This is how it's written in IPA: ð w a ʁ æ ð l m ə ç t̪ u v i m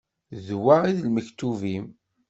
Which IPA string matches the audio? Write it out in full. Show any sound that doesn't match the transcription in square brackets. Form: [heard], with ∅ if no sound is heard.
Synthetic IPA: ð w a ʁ [i] ð l m ə ç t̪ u v i m